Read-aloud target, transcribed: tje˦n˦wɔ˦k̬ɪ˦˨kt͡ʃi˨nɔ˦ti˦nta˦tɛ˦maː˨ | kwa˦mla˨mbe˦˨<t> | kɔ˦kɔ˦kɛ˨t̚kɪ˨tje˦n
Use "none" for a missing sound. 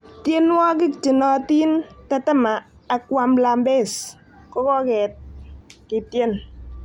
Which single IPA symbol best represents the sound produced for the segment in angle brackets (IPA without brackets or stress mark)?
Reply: s